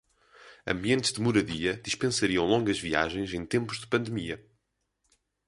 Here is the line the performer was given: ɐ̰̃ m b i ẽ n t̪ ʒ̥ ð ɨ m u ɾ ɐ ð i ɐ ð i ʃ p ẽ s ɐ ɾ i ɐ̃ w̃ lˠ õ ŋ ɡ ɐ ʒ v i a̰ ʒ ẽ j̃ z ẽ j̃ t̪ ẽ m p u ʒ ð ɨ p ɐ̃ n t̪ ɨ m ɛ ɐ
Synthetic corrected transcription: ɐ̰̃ m b i ẽ n t̪ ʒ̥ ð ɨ m u ɾ ɐ ð i ɐ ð i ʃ p ẽ s ɐ ɾ i ɐ̃ w̃ lˠ õ ŋ ɡ ɐ ʒ v i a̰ ʒ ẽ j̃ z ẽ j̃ t̪ ẽ m p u ʒ ð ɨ p ɐ̃ n d̪ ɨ m i ɐ